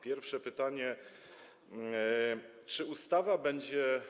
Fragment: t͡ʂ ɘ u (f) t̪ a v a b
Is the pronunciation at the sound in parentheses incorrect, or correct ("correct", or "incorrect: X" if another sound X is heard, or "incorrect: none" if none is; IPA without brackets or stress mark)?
incorrect: s